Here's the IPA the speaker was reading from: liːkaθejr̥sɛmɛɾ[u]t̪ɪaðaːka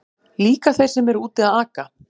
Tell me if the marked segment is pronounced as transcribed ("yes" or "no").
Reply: no